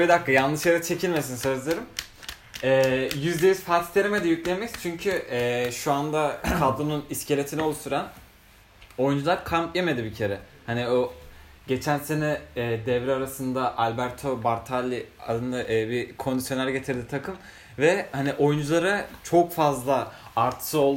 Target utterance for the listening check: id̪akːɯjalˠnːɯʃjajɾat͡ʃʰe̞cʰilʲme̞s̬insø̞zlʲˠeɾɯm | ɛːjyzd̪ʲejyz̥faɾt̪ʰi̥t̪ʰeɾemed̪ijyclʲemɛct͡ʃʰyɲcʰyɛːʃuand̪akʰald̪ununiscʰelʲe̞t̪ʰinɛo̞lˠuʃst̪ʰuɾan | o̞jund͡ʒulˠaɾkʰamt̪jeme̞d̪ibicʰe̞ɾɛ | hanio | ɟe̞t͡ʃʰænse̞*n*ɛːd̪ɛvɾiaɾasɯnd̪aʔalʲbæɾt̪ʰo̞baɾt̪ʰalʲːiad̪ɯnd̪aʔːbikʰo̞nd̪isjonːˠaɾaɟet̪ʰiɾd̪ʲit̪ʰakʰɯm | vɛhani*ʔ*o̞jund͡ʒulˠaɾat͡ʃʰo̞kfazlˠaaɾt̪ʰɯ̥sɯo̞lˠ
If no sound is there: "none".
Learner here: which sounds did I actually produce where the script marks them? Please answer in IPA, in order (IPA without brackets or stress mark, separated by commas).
n, ʔ